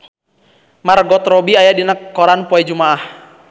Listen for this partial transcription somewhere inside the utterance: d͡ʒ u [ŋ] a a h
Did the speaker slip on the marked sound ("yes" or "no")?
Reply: yes